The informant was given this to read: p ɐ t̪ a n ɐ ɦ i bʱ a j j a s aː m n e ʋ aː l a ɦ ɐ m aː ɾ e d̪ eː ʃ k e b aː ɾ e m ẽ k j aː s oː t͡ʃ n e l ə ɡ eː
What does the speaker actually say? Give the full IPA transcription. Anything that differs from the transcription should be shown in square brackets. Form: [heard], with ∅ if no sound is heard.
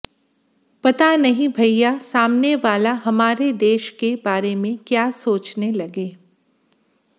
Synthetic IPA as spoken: p ɐ t̪ a n ɐ ɦ [ĩ] bʱ [ɐ] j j a s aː m n e ʋ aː l a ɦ ɐ m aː ɾ e d̪ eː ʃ k e b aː ɾ e m ẽ k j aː s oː t͡ʃ n e l [ɐ] ɡ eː